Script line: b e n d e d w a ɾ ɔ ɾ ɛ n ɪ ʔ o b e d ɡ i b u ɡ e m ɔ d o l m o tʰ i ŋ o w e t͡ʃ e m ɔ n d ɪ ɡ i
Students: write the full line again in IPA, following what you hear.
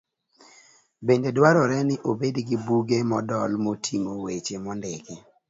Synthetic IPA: b e n d e d w a ɾ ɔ ɾ ɛ n ɪ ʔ o b e d ɡ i b u ɡ e m ɔ d ɔ l m o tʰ i ŋ o w e t͡ʃ e m ɔ n d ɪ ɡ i

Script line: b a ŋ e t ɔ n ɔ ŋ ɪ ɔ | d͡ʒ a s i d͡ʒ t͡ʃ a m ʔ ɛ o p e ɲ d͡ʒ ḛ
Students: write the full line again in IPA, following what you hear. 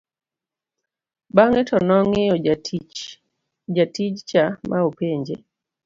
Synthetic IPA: b a ŋ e t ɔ n ɔ ŋ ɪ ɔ | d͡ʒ a t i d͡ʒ t͡ʃ a m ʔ a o p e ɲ d͡ʒ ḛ

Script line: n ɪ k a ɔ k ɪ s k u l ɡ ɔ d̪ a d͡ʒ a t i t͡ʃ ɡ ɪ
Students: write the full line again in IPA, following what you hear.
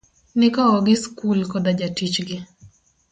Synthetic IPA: n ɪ k a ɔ ɡ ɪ s k u l k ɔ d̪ a d͡ʒ a t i t͡ʃ ɡ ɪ

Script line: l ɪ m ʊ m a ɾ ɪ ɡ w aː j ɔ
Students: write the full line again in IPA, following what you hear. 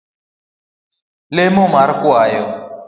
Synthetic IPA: l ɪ m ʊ m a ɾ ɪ k w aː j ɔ

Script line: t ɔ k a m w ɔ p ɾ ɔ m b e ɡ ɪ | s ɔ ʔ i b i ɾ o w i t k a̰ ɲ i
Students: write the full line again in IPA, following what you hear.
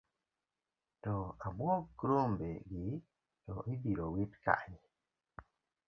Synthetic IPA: t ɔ a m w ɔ k ɾ o m b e ɡ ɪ | t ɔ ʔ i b i ɾ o w i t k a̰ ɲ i

